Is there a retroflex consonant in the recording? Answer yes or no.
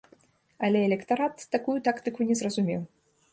no